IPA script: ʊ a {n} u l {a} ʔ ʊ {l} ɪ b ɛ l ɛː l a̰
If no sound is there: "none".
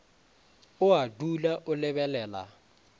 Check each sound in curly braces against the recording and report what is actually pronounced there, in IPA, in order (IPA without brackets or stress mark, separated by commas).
d, a, l